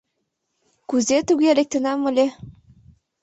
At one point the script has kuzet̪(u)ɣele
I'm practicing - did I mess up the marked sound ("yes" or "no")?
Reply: no